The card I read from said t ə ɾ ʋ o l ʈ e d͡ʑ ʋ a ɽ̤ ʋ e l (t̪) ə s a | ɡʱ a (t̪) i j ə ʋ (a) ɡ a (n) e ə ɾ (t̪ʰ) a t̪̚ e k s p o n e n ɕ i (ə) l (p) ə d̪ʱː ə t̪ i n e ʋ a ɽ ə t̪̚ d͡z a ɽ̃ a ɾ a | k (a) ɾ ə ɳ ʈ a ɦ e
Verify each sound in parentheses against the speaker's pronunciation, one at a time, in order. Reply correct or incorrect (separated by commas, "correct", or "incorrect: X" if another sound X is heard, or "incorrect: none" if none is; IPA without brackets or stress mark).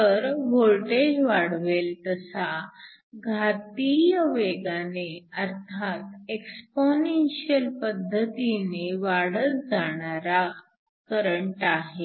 correct, correct, incorrect: e, correct, correct, correct, correct, incorrect: ə